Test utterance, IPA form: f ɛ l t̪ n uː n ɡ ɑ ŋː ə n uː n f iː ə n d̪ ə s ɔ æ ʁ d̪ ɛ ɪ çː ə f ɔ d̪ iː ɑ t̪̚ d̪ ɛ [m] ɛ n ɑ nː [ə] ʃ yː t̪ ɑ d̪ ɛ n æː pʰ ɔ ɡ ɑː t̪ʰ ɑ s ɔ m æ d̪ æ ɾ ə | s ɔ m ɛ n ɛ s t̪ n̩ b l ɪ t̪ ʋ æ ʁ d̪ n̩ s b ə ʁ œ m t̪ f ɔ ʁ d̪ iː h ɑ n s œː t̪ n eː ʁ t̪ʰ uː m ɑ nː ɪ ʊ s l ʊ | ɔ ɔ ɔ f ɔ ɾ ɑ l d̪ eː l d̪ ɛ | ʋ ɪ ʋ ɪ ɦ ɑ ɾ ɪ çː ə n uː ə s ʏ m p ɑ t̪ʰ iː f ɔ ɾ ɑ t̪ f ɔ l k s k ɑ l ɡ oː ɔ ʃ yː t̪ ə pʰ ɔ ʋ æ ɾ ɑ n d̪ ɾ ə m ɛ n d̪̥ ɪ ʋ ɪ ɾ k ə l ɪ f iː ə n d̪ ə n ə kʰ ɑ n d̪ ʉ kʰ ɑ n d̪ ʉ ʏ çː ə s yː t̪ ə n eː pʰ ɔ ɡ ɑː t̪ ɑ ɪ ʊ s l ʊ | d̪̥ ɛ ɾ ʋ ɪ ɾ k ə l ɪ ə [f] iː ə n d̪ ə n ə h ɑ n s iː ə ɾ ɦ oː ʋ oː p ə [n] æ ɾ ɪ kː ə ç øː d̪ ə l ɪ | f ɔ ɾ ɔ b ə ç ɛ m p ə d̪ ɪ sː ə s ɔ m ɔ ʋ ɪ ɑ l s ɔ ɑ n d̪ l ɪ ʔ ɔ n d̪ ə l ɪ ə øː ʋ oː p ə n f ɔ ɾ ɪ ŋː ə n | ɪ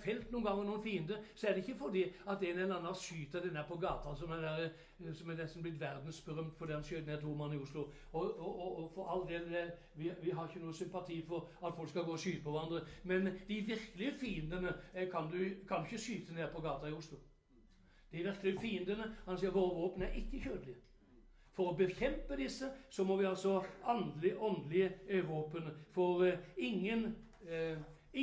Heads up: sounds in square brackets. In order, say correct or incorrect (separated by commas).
incorrect, incorrect, correct, correct